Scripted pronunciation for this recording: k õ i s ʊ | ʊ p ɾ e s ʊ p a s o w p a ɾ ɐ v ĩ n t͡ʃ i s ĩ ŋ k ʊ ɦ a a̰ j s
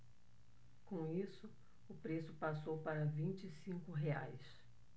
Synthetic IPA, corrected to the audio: k õ i s ʊ | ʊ p ɾ e s ʊ p a s o w p a ɾ ɐ v ĩ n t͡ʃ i s ĩ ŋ k ʊ ɦ e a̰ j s